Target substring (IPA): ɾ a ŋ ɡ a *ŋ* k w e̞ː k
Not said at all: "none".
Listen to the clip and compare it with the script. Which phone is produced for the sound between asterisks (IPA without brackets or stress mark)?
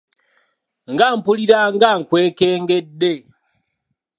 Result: ŋ